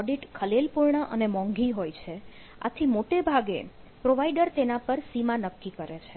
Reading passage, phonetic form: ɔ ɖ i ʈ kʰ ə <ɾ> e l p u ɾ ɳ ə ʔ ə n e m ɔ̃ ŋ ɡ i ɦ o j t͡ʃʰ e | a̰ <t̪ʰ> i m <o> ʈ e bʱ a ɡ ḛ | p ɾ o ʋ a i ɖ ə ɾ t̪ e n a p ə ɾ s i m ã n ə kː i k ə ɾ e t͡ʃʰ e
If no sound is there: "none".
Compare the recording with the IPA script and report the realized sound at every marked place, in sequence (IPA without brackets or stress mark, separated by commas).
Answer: l, t̪ʰ, o